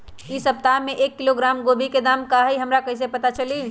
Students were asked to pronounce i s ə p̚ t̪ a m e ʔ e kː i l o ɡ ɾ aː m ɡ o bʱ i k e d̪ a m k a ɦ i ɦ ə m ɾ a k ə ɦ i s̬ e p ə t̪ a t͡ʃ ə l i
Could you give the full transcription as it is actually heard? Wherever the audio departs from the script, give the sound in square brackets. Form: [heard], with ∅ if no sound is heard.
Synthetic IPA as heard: i s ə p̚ t̪ a m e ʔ e kː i l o ɡ ɾ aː m ɡ o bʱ i k e d̪ a m k a ɦ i ɦ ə m ɾ a k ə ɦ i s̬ e p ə t̪ a t͡ʃ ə l i